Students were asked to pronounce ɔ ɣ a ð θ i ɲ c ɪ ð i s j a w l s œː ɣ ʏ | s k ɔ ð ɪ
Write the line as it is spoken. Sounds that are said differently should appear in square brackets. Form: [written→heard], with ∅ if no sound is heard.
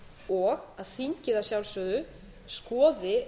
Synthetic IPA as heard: ɔ ɣ a ð θ i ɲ c ɪ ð [i→a] s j a w l s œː [ɣ→ð] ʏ | s k [ɔ→ɔː] ð ɪ